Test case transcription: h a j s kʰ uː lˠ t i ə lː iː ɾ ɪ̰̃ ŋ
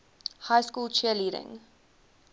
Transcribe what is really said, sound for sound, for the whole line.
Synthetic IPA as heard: h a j s k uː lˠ t͡ʃ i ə l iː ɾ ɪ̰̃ ŋ